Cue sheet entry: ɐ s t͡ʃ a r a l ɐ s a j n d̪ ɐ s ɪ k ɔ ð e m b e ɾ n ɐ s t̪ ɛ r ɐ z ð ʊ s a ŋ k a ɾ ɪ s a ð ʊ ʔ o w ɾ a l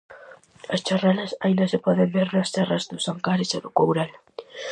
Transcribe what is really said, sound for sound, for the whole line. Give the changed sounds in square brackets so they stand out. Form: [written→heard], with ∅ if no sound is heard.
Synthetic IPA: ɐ s t͡ʃ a r a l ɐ s a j n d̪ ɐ s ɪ [k→p] ɔ ð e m b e ɾ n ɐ s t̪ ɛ r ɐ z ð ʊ s a ŋ k a ɾ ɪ s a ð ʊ [ʔ→k] o w ɾ a l